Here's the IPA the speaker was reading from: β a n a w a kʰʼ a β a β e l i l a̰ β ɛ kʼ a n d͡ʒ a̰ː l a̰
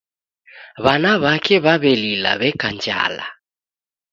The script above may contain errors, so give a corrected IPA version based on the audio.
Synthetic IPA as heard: β a n a β a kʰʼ ɛ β a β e l i l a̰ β ɛ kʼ a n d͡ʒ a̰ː l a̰